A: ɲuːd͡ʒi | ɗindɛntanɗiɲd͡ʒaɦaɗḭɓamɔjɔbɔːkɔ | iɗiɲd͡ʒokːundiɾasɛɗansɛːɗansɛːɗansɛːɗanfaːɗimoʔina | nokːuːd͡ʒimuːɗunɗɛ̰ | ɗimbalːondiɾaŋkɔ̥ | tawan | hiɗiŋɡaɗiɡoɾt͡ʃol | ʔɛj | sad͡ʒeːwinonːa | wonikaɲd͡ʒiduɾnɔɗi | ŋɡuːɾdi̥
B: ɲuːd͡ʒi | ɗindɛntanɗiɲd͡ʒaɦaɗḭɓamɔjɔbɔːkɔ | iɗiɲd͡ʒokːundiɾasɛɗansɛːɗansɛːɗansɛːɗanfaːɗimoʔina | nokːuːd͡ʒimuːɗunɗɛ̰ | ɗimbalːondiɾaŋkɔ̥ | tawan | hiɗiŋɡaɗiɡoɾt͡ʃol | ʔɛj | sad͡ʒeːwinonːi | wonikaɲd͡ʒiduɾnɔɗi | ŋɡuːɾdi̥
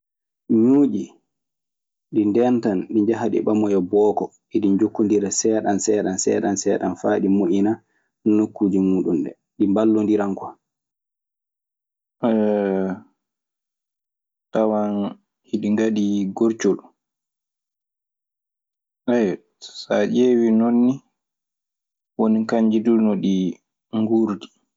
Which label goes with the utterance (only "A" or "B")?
B